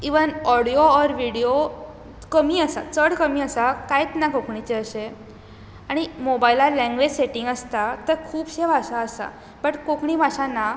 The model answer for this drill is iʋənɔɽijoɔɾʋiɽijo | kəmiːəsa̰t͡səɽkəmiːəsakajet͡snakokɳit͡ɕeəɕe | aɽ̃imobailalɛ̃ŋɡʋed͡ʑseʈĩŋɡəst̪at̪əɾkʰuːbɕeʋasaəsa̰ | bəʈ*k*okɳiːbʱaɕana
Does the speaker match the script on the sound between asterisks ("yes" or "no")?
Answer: yes